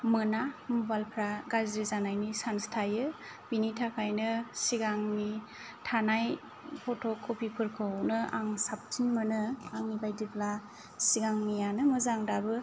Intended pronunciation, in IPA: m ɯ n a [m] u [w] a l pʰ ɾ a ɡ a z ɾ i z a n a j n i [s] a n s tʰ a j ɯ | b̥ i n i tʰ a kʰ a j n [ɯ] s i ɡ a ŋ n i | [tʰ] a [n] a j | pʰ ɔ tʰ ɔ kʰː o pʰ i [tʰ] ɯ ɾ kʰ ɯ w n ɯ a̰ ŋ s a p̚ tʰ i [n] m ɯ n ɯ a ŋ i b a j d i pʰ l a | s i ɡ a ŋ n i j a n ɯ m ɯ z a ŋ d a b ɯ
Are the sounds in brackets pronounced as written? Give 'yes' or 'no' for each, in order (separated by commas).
yes, no, yes, yes, yes, yes, no, yes